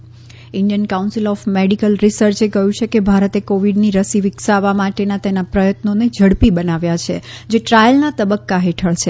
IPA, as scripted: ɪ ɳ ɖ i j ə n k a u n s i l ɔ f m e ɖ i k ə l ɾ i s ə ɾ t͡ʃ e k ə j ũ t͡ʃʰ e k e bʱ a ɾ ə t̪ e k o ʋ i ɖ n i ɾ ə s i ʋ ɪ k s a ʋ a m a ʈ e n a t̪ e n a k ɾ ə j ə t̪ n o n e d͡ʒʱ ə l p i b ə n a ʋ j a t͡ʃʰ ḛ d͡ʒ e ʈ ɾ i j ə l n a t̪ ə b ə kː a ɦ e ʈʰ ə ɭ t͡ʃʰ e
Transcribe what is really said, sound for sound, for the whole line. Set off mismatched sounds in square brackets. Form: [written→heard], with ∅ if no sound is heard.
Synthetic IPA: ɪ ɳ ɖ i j ə n k a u n s i l ɔ f m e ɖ i k ə l ɾ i s ə ɾ t͡ʃ e k ə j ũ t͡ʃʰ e k e bʱ a ɾ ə t̪ e k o ʋ i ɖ n i ɾ ə s i ʋ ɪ k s a ʋ a m a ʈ e n a t̪ e n a [k→p] ɾ ə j ə t̪ n o n e d͡ʒʱ ə [l→ɽ] p i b ə n a ʋ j a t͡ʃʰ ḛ d͡ʒ e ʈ ɾ [i→a] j ə l n a t̪ ə b ə kː a ɦ e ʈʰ ə ɭ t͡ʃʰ e